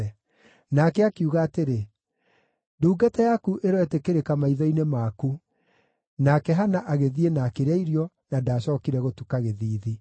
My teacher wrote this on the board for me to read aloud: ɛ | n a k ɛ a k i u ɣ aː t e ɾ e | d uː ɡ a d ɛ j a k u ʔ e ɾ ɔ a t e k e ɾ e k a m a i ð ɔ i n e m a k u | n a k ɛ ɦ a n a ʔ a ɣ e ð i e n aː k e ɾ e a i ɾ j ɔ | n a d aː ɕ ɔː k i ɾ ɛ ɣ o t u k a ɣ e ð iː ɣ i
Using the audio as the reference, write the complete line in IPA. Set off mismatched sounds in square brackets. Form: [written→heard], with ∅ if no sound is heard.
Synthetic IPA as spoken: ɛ | n a k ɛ a k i u ɣ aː t e ɾ e | d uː ɡ a [d→t] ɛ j a k u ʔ e ɾ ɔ [a→ɛ] t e k e ɾ e k a m a i ð ɔ i n e m a k u | n a k ɛ ɦ a n a ʔ a ɣ e ð i e n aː k e ɾ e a i ɾ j ɔ | n a d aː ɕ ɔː k i ɾ ɛ ɣ o t u k a ɣ e ð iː [ɣ→ð] i